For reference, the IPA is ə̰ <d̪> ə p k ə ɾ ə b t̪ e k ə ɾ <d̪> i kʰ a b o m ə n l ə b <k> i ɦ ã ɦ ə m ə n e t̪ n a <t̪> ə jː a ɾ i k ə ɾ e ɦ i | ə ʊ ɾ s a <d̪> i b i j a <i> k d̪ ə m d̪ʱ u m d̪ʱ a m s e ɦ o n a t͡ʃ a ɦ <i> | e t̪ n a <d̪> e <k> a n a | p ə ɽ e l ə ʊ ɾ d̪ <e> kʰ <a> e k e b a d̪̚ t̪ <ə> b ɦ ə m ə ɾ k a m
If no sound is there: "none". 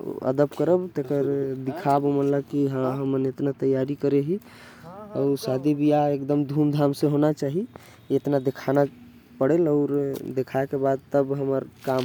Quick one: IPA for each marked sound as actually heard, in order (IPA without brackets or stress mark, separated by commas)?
d̪, d̪, k, t̪, d̪, e, i, d̪, kʰ, e, a, ə